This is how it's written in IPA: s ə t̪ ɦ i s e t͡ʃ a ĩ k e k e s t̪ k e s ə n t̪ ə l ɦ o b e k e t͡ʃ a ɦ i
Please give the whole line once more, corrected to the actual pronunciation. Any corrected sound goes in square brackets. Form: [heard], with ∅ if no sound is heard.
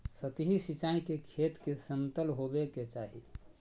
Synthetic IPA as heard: s ə t̪ ɦ i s [i] t͡ʃ a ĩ k e [kʰ] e [∅] t̪ k e s ə n t̪ ə l ɦ o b e k e t͡ʃ a ɦ i